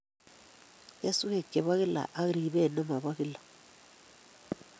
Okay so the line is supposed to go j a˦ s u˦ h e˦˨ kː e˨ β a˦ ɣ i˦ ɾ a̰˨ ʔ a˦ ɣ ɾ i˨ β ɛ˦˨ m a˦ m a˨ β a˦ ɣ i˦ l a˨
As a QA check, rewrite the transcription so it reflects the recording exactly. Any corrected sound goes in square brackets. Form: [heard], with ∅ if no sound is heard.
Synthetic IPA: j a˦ s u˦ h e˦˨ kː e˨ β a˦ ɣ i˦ [l] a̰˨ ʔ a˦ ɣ ɾ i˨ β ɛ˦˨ [n] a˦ m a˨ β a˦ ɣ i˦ l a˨